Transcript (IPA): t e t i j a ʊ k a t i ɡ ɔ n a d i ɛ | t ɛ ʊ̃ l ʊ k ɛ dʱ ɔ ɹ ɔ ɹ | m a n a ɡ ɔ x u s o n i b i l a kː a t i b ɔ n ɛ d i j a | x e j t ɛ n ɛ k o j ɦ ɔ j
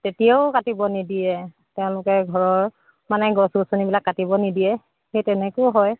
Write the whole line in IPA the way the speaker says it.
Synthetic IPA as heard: t e t i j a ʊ k a t i b ɔ n i d i ɛ | t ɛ ʊ̃ l ʊ k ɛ ɡʱ ɔ ɹ ɔ ɹ | m a n ɛ ɡ ɔ s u s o n i b i l a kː a t i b ɔ n i d i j ɛ | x e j t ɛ n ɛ k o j ɦ ɔ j